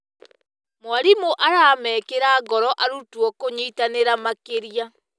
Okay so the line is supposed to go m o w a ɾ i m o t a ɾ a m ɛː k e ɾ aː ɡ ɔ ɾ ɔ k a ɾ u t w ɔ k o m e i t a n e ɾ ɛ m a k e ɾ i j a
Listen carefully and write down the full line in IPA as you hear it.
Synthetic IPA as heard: m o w a ɾ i m o ʔ a ɾ a m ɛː k e ɾ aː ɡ ɔ ɾ ɔ ʔ a ɾ u t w ɔ k o ɲ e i t a n e ɾ a m a k e ɾ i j a